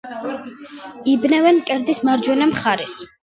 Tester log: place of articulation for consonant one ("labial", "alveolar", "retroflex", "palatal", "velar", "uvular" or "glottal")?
labial